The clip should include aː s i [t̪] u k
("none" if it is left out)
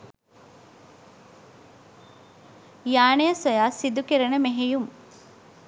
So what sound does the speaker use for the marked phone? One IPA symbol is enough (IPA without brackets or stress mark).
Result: d̪